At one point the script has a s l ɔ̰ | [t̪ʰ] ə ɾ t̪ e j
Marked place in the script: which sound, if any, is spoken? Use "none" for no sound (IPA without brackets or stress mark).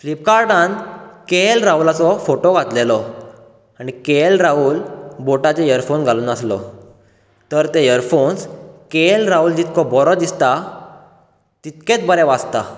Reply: t̪